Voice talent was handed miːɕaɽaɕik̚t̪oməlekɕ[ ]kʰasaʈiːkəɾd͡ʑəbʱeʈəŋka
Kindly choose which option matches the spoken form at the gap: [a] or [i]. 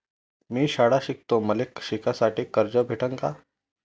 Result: i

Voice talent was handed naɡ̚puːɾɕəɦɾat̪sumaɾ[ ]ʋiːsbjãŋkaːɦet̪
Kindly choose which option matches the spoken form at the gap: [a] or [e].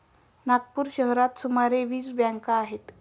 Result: e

